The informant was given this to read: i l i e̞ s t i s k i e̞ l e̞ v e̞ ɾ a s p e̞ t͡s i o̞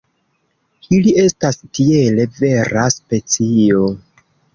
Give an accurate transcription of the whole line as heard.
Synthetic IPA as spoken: i l i e̞ s t a s t i e̞ l e̞ v e̞ ɾ a s p e̞ t͡s i o̞